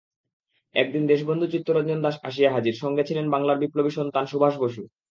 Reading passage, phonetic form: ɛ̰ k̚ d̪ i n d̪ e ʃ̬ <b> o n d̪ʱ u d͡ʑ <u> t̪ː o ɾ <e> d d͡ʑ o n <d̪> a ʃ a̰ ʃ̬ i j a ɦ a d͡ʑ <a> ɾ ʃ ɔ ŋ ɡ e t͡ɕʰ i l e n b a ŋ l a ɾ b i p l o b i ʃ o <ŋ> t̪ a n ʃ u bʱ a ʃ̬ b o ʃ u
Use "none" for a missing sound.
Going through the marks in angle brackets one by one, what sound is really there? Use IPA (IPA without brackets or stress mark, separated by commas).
b, u, a, d̪, i, n